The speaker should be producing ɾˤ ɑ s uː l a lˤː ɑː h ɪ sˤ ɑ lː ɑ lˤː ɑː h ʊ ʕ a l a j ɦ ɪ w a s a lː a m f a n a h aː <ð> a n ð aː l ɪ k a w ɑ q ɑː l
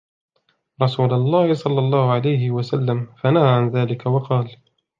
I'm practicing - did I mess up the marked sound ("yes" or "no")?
yes